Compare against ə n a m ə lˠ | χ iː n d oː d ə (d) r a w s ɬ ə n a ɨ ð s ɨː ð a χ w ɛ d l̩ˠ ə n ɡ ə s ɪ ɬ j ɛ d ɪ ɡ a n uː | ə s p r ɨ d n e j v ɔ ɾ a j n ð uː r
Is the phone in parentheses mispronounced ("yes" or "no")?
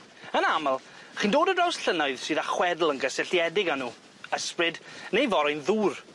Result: no